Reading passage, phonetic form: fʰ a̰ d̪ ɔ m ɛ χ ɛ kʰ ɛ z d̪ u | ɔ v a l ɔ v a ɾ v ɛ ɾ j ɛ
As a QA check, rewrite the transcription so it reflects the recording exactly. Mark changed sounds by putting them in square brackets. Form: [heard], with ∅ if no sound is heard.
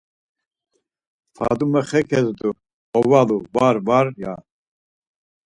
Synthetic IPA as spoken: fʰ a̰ d̪ [u] m ɛ χ ɛ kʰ ɛ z d̪ u | ɔ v a l [u] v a ɾ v [a] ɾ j [a]